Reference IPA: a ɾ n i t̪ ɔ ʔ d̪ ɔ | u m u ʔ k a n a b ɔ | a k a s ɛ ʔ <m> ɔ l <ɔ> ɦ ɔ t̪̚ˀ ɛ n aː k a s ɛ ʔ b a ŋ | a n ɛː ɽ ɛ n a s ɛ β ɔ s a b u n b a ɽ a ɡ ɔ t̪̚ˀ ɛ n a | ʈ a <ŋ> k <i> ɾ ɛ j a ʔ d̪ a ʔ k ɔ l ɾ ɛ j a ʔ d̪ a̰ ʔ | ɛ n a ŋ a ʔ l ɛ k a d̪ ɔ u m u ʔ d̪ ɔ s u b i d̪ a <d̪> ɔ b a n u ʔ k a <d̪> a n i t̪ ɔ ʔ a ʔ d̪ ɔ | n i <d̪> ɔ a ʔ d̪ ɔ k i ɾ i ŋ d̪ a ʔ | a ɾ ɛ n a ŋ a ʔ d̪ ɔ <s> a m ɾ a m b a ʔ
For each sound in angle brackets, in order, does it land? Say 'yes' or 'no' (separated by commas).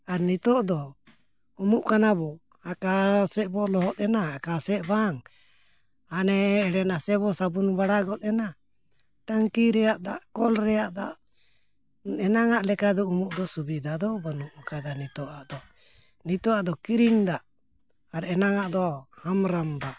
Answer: no, yes, yes, yes, yes, yes, no, no